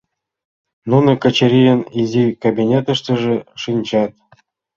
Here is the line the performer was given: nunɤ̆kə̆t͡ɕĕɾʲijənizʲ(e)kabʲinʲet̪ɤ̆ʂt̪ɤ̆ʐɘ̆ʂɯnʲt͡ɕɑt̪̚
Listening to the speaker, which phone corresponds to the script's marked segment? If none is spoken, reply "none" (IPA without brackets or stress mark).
i